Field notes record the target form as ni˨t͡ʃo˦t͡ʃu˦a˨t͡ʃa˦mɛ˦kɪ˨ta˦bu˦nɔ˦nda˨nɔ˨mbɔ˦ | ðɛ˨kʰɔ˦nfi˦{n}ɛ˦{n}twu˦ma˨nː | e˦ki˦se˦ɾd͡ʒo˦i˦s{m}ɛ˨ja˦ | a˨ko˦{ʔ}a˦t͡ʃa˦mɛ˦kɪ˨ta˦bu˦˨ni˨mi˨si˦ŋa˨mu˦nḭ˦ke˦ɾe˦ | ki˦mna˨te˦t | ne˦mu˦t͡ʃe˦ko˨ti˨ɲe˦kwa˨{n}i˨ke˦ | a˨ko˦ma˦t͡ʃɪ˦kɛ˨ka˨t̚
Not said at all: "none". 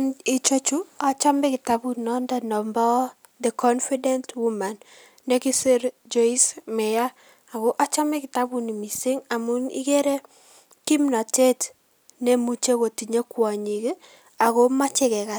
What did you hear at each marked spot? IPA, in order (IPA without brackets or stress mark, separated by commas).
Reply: d, n, m, ʔ, ɲ